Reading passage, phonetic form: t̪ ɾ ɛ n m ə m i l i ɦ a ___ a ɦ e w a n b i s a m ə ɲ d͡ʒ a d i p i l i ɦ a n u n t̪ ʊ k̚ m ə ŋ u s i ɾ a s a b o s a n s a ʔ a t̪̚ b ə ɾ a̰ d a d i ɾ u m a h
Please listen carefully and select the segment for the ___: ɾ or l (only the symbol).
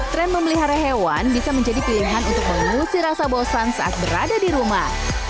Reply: ɾ